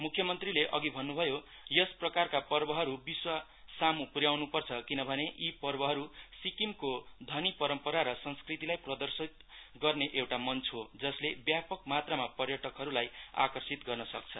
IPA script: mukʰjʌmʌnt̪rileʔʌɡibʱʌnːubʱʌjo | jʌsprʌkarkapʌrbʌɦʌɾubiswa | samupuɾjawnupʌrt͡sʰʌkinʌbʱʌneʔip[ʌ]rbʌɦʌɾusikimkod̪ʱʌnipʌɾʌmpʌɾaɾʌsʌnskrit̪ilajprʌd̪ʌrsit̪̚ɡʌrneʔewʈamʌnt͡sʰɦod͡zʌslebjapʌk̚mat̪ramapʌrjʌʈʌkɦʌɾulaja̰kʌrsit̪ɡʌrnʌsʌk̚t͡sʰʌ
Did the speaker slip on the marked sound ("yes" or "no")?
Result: no